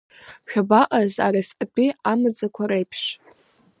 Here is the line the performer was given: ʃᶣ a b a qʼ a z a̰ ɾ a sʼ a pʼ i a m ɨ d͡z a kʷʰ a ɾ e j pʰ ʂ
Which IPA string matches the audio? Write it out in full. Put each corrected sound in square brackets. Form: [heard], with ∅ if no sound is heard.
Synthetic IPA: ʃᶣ a b a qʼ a z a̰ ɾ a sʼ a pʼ i a m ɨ d͡z a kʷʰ a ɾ e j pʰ ʂ